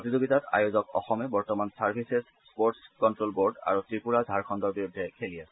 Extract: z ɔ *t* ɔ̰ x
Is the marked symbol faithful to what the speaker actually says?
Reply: no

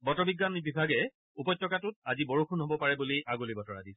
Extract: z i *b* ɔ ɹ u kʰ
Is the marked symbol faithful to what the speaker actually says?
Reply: yes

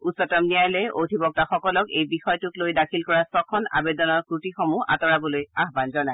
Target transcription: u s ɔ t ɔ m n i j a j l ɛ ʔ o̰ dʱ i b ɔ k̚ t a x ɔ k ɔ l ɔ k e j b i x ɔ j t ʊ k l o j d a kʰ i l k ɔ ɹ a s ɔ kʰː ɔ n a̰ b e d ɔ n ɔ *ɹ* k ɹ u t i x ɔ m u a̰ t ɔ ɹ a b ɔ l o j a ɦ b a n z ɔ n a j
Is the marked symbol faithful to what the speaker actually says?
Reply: yes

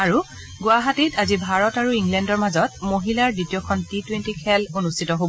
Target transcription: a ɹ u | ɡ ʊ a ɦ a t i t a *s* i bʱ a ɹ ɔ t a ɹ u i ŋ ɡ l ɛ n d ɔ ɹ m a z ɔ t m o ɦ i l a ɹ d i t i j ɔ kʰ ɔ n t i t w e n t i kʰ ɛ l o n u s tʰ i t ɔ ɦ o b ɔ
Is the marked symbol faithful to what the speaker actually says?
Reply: no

